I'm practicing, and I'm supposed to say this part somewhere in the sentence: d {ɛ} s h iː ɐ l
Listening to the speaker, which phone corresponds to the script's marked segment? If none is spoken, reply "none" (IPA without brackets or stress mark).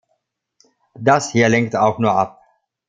a